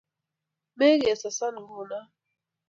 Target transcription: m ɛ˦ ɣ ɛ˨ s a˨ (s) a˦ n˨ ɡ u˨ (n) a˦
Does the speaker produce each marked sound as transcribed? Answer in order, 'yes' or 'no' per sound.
yes, yes

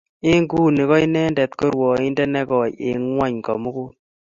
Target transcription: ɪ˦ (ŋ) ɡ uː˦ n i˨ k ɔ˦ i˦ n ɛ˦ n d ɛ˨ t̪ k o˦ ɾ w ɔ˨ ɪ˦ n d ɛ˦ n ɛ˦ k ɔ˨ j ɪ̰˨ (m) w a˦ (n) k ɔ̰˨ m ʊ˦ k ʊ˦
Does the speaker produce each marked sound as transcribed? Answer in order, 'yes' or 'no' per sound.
yes, no, no

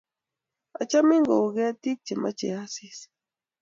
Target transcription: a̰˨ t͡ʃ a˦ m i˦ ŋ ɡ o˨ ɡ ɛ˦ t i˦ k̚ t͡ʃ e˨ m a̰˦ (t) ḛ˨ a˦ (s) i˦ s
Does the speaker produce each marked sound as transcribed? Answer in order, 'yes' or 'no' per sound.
no, yes

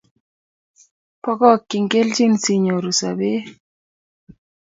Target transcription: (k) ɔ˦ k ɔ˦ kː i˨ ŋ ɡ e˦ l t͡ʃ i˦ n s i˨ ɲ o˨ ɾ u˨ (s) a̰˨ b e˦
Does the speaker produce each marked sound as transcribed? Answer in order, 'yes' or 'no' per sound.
no, yes

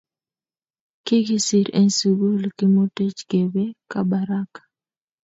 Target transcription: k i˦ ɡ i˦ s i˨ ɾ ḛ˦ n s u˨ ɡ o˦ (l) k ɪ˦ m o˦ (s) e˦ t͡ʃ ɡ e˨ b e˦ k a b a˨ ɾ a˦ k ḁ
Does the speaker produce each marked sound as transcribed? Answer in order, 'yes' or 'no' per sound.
yes, no

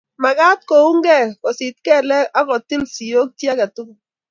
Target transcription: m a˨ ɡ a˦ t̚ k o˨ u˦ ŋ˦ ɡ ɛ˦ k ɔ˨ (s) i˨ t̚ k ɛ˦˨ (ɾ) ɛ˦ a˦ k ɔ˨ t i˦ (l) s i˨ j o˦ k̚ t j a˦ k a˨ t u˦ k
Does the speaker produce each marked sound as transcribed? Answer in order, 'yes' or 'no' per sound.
yes, no, yes

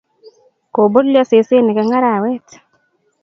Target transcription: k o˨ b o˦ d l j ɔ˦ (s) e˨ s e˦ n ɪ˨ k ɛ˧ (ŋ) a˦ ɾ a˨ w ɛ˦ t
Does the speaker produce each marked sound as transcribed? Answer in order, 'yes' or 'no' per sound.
yes, yes

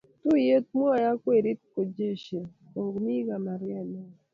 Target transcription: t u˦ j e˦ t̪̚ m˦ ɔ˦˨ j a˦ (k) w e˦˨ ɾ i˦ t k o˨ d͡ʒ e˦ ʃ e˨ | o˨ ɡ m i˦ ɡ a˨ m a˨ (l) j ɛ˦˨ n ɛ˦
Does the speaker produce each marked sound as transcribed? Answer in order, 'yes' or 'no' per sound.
yes, no

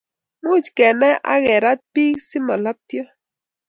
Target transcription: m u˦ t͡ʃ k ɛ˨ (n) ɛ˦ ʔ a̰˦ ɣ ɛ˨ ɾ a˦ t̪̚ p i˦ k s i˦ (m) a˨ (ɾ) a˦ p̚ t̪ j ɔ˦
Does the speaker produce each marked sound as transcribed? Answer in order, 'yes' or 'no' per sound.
yes, yes, no

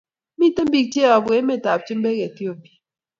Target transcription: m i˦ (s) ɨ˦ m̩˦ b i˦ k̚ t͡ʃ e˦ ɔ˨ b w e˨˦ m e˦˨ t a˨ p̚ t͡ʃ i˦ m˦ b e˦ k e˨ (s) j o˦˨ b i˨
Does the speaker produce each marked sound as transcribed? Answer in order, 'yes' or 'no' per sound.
no, no

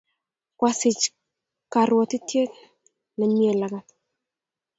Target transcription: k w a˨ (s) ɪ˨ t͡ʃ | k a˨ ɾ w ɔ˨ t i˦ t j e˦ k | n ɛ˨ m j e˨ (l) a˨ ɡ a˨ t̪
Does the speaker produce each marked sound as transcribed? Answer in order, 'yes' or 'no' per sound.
yes, yes

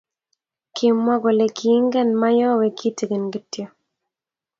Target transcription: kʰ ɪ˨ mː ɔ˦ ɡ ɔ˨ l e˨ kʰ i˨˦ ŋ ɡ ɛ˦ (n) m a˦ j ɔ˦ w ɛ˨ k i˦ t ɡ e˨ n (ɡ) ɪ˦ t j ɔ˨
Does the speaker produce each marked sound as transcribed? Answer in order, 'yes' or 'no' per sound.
yes, yes

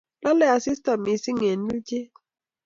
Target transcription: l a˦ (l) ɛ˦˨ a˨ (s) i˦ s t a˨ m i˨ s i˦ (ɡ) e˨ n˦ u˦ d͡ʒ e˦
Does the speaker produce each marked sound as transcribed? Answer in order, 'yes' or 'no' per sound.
yes, yes, no

